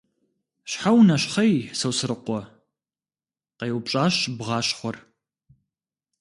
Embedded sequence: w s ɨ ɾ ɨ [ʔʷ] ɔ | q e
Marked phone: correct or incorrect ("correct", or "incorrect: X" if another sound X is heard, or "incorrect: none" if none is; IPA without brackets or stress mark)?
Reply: incorrect: qʷ